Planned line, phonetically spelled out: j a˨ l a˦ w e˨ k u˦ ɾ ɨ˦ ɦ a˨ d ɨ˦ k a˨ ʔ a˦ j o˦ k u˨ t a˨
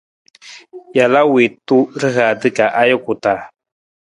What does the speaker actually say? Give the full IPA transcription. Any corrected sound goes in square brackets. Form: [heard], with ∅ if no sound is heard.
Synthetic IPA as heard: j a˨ l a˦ w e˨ [t] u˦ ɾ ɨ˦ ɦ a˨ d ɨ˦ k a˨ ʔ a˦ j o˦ k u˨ t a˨